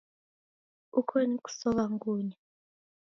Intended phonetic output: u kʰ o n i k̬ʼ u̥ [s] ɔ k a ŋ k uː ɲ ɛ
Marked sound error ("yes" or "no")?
no